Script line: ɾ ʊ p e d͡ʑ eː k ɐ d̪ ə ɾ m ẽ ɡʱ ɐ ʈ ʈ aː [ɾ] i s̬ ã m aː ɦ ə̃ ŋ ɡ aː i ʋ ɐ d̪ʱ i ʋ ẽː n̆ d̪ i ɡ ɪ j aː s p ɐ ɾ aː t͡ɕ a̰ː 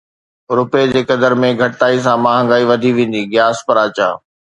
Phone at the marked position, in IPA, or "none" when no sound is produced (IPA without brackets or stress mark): none